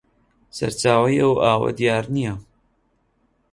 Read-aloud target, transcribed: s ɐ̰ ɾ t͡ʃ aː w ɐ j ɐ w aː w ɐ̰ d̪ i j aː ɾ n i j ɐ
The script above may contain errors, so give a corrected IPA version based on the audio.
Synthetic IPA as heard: s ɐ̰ ɾ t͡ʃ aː w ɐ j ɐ w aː w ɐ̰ d̪ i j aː ɾ n i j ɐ

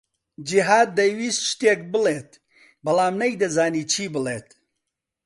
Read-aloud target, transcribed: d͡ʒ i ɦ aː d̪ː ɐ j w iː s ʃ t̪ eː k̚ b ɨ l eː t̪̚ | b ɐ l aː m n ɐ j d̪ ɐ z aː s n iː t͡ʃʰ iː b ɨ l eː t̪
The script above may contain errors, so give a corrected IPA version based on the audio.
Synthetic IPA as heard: d͡ʒ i ɦ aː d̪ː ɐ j w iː s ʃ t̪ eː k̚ b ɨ l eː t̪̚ | b ɐ l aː m n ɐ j d̪ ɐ z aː n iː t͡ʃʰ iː b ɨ l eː t̪

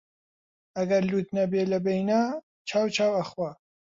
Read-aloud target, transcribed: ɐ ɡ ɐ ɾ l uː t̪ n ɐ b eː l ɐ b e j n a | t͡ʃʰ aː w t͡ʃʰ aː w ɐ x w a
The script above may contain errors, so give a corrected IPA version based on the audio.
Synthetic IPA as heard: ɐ ɡ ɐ ɾ l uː t̪ n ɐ b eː l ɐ b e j n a | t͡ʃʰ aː w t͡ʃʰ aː w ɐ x w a

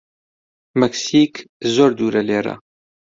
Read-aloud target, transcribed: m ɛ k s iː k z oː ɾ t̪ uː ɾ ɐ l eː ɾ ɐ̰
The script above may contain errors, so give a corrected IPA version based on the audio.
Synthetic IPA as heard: m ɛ k s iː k z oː ɾ d̪ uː ɾ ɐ l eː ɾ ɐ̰

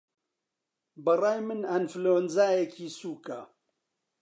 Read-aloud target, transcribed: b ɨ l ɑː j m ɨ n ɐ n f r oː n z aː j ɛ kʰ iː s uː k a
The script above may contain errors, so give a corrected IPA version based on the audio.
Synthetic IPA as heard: b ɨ r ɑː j m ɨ n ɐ n f l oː n z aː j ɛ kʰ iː s uː k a

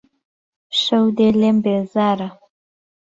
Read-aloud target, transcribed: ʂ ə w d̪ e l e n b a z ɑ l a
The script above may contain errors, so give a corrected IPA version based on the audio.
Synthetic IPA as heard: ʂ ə w d̪ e l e m b e z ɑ ɾ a

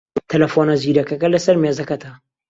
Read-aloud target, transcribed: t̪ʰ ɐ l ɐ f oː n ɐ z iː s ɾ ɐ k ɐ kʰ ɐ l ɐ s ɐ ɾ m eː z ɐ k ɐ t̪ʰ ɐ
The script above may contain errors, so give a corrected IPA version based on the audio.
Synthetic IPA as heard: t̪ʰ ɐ l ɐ f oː n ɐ z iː ɾ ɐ k ɐ k ɐ l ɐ s ɐ ɾ m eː z ɐ k ɐ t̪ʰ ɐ

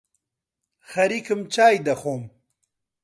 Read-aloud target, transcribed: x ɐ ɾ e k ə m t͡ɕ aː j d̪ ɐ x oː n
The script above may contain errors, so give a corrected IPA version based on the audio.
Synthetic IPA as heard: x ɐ ɾ i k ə m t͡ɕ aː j d̪ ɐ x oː m

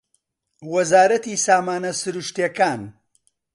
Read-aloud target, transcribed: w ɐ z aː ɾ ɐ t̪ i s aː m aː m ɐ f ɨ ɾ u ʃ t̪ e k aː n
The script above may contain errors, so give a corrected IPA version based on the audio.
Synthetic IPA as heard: w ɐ z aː ɾ ɐ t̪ i s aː m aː n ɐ s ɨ ɾ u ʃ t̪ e k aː n

